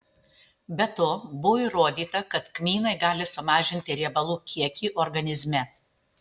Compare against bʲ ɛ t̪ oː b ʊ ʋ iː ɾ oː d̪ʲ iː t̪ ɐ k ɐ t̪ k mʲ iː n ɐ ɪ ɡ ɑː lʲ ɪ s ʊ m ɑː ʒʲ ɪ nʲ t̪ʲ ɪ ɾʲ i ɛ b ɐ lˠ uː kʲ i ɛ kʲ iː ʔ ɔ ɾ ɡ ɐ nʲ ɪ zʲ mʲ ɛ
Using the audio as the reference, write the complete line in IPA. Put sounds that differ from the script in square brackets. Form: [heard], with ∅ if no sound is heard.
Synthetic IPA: bʲ ɛ t̪ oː b ʊ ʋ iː ɾ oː d̪ʲ iː t̪ ɐ k ɐ t̪ k mʲ iː n ɐ ɪ ɡ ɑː lʲ ɪ s ʊ m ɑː ʒʲ ɪ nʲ t̪ʲ ɪ ɾʲ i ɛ b ɐ lˠ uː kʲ i ɛ kʲ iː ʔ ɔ ɾ ɡ ɐ nʲ ɪ zʲ mʲ ɛ